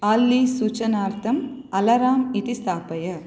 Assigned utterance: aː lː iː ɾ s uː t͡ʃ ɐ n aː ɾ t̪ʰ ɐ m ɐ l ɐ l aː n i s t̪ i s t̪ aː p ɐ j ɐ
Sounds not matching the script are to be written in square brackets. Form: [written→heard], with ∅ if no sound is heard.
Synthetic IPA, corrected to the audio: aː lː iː [ɾ→∅] s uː t͡ʃ ɐ n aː ɾ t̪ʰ ɐ m ɐ l ɐ [l→ɾ] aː [n→m] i [s→∅] t̪ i s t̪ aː p ɐ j ɐ